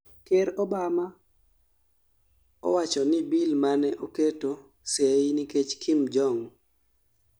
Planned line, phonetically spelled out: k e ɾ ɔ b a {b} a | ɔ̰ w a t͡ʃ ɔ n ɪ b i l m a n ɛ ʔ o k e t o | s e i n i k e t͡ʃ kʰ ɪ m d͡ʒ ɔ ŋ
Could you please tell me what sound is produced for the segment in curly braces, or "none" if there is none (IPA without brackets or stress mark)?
m